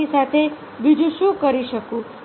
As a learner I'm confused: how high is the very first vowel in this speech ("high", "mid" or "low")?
high